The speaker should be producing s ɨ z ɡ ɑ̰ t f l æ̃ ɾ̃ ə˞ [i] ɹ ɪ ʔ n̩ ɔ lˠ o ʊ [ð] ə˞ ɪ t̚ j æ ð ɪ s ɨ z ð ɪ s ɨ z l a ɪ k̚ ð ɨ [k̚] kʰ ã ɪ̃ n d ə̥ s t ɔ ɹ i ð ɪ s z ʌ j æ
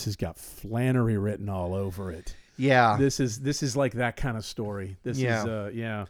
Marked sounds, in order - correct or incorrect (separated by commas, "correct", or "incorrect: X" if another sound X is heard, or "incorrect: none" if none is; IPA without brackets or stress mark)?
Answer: correct, incorrect: v, incorrect: t̚